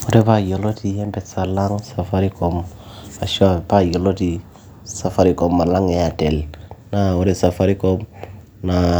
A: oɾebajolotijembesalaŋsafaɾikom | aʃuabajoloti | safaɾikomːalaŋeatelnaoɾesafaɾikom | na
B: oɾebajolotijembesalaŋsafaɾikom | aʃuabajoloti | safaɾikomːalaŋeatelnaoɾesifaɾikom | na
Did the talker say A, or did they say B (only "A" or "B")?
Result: A